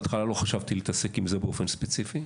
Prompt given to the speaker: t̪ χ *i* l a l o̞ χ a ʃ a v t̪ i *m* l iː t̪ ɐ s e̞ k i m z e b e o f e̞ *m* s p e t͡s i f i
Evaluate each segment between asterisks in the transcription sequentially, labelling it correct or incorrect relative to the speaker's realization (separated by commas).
incorrect, incorrect, incorrect